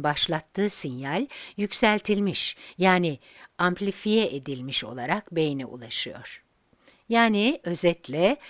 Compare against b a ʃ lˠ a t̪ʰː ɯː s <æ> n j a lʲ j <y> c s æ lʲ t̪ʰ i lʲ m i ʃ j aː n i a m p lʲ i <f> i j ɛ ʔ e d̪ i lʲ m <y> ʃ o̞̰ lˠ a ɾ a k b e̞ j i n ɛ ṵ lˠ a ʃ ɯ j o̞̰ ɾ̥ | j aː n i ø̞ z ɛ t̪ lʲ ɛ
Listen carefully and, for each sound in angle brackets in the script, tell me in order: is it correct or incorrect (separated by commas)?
incorrect, correct, correct, incorrect